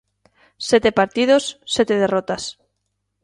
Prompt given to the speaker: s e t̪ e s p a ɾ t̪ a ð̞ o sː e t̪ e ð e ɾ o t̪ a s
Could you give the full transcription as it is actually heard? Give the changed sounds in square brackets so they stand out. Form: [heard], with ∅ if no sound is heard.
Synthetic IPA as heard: s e t̪ e [∅] p a ɾ t̪ [i] ð̞ o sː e t̪ e ð e [r] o t̪ a s